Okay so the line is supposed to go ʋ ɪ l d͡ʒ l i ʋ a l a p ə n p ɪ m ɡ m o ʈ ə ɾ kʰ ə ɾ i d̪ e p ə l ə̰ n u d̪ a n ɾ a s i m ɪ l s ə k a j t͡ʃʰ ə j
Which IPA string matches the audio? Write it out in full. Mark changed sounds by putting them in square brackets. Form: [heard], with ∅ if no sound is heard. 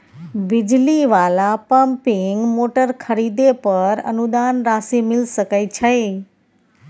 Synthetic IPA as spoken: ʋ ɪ [∅] d͡ʒ l i ʋ a l a p ə [m] p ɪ [ŋ] ɡ m o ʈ ə ɾ kʰ ə ɾ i d̪ e p ə [ɾ] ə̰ n u d̪ a n ɾ a s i m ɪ l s ə k a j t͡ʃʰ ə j